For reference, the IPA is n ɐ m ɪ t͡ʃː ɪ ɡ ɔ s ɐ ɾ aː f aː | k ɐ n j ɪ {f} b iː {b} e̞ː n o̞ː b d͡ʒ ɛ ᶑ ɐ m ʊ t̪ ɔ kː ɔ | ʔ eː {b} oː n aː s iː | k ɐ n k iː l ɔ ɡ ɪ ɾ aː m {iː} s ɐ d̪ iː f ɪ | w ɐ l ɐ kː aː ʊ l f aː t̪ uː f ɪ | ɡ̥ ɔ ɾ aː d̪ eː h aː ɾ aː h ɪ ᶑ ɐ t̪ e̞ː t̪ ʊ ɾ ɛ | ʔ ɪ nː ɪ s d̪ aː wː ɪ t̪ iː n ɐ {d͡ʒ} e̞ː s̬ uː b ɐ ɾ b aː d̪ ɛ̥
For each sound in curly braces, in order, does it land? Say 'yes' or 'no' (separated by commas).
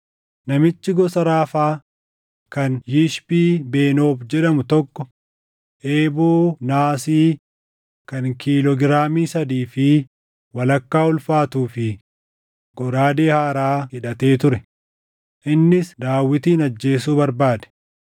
no, yes, yes, yes, no